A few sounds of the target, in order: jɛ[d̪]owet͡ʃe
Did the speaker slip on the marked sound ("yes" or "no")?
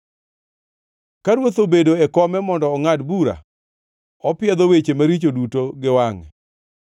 no